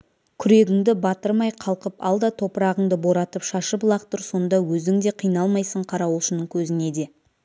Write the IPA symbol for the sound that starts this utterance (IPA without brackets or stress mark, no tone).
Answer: kʲʰ